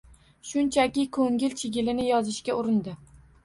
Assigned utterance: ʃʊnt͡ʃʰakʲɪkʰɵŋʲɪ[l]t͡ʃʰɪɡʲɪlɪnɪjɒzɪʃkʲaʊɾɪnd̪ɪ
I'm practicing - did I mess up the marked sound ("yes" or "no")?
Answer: no